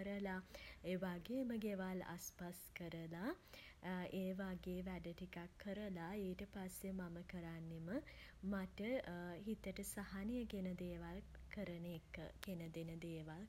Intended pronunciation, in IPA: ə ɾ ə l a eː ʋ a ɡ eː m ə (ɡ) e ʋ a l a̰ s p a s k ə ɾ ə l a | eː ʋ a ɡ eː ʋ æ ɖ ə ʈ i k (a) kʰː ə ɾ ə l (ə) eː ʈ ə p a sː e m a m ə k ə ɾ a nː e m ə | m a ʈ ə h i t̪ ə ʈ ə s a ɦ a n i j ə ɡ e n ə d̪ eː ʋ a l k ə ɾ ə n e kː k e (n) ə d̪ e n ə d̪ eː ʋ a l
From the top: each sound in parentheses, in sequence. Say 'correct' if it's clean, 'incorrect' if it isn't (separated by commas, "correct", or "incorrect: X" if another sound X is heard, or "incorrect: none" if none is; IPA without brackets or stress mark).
correct, correct, incorrect: a, correct